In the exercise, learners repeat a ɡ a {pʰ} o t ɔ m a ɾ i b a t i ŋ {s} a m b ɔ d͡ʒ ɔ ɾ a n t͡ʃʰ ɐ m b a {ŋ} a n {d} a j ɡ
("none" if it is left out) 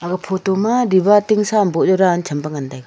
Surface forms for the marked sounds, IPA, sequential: pʰ, s, ŋ, d

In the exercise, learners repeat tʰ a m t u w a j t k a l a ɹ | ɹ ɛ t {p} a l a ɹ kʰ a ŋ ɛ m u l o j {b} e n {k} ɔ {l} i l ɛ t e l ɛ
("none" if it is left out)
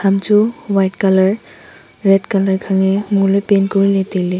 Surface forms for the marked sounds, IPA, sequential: k, p, k, ɹ

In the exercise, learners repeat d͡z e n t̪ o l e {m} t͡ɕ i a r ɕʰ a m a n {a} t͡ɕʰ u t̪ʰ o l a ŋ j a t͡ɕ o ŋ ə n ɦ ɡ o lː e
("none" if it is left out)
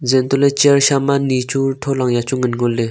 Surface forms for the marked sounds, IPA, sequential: none, i

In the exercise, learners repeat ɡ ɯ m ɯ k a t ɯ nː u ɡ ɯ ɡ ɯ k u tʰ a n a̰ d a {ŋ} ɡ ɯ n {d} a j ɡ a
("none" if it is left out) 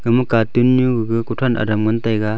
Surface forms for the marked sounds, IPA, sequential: m, t

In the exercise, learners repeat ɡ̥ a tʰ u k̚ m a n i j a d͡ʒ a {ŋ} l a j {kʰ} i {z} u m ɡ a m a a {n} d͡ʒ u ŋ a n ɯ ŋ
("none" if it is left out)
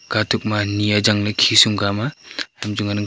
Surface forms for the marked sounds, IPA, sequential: ŋ, kʰ, s, m

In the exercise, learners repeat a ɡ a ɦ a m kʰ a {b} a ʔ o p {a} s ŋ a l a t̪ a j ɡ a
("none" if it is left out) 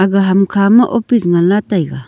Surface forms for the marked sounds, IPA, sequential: m, i

